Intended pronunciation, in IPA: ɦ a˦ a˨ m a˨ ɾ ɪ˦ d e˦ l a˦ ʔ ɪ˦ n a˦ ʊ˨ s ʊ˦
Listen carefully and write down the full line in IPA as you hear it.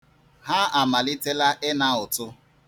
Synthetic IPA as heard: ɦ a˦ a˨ m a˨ l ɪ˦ t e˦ l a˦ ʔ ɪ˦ n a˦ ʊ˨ t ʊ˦